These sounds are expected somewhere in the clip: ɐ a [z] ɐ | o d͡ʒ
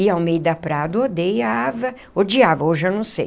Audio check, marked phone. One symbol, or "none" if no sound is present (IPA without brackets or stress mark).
v